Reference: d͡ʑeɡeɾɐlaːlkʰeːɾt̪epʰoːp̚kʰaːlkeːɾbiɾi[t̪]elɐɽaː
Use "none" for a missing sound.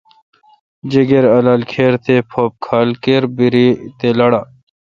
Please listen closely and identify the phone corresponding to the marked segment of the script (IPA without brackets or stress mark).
t̪